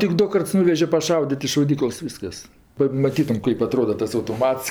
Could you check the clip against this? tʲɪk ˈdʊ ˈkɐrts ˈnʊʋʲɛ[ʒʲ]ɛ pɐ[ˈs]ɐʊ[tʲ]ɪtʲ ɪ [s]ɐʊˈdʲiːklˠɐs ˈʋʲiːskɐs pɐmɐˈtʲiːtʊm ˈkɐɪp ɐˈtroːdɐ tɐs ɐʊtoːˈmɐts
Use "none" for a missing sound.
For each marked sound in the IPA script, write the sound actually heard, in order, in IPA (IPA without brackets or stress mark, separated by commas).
ʒʲ, ʃ, dʲ, ʃ